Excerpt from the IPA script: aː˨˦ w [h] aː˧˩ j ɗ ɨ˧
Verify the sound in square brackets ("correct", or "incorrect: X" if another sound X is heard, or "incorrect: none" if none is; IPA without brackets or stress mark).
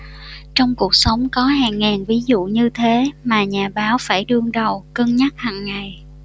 incorrect: f